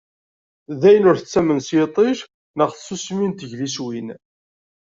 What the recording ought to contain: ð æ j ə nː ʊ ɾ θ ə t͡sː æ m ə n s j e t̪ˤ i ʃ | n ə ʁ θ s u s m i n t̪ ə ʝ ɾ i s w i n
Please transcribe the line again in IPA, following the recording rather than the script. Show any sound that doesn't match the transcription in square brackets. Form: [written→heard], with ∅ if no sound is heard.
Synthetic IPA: ð æ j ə [nː→n] ʊ ɾ θ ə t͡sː æ m ə n s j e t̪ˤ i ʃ | n ə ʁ θ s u s m i n t̪ ə ʝ [ɾ→l] i s w i n

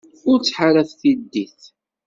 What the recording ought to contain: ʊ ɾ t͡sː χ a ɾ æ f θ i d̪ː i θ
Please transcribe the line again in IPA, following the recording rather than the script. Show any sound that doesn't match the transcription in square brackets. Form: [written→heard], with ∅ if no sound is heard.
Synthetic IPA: ʊ ɾ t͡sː [χ→ħ] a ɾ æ [f→θ] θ i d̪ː i θ

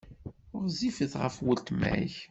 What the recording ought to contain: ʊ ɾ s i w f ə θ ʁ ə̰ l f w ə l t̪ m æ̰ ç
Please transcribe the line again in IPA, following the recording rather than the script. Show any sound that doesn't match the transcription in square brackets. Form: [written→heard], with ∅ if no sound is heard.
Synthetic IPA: ʊ ɾ [s→z] i [w→∅] f ə θ ʁ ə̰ [l→∅] f w ə l t̪ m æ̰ ç

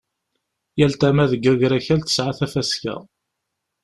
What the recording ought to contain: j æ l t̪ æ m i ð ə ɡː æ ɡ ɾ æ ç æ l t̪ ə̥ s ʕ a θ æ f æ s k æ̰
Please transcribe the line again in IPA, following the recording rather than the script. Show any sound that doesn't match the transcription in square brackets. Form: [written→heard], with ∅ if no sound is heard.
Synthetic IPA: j æ l t̪ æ m [i→æ] ð ə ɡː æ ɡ ɾ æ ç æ l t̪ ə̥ s ʕ a θ æ f æ s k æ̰

